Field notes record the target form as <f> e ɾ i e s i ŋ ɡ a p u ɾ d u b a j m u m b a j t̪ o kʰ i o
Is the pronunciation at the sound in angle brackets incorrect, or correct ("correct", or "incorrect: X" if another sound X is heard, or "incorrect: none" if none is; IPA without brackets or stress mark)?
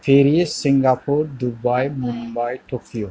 correct